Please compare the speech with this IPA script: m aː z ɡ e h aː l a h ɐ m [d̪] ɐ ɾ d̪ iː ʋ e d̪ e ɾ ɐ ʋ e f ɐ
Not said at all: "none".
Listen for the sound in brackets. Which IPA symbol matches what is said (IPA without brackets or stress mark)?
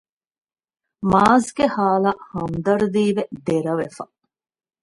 d̪